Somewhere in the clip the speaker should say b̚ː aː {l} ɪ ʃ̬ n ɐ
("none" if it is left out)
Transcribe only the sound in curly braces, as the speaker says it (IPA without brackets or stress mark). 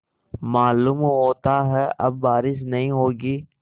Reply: ɾ